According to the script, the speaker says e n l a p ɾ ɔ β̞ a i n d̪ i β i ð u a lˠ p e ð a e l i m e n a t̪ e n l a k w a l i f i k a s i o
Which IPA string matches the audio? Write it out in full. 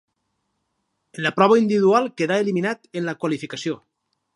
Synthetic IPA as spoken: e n l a p ɾ ɔ β̞ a i n d̪ i β i ð u a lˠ k e ð a e l i m i n a t̪ e n l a k w a l i f i k a s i o